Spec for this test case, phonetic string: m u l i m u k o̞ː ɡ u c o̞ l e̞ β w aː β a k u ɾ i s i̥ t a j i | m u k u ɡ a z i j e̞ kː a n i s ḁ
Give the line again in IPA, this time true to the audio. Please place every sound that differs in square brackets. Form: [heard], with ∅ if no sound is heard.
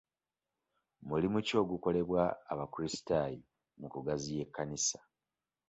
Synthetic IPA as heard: m u l i m u [c] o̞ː ɡ u [k] o̞ l e̞ β w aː β a k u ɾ i s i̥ t a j i | m u k u ɡ a z i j e̞ kː a n i s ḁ